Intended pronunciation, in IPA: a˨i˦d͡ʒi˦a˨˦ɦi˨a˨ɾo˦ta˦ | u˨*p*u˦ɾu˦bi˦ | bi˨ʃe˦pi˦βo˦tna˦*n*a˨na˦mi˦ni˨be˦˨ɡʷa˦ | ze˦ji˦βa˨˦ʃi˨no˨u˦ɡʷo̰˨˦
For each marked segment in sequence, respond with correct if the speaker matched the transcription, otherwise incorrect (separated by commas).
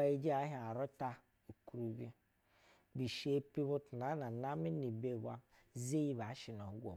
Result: incorrect, correct